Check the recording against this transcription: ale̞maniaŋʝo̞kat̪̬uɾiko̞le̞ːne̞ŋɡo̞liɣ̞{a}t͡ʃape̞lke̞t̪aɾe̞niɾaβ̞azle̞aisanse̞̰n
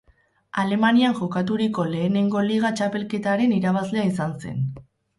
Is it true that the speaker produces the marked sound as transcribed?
yes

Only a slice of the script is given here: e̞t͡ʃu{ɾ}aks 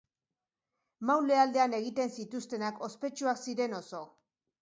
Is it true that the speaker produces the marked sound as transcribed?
no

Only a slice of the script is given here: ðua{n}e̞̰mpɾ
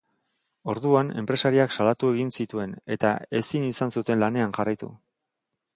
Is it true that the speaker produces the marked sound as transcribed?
yes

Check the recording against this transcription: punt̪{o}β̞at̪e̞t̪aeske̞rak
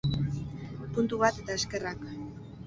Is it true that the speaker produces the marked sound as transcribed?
no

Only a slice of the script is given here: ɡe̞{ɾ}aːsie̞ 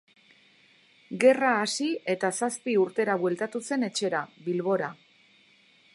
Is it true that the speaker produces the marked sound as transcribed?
no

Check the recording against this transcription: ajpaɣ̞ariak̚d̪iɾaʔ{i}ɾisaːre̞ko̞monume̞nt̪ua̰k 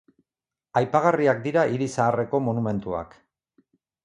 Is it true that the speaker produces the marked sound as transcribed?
yes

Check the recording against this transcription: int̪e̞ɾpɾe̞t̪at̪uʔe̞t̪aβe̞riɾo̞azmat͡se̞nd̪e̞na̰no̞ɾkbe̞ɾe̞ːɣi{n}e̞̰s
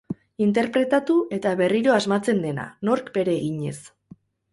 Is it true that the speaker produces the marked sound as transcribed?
no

